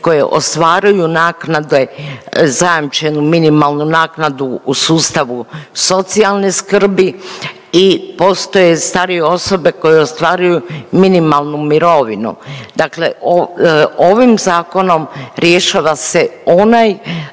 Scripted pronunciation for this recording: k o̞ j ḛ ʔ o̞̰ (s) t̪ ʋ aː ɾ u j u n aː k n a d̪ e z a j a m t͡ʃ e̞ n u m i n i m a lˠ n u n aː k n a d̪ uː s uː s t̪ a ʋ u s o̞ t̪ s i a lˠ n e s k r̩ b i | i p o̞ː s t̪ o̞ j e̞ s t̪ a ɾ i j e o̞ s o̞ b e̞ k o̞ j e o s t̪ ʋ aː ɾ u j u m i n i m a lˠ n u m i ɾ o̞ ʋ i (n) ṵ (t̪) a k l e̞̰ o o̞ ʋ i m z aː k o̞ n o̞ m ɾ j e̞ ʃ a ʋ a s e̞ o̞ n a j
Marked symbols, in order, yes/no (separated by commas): yes, yes, no